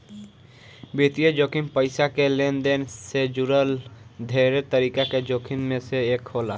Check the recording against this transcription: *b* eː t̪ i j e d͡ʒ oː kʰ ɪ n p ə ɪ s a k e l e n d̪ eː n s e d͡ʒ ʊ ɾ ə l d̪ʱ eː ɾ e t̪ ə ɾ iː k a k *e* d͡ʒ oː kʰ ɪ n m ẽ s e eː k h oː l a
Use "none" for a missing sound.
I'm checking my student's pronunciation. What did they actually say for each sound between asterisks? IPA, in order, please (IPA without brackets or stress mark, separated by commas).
b, e